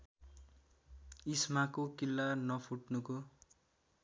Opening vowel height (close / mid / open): close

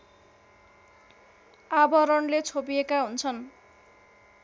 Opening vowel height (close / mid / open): open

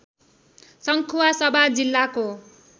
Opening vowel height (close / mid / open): mid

